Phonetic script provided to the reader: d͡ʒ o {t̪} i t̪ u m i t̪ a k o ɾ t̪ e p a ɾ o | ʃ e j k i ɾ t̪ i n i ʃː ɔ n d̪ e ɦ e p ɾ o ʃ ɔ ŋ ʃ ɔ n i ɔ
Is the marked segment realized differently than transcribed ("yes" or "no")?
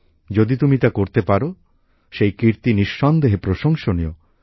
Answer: yes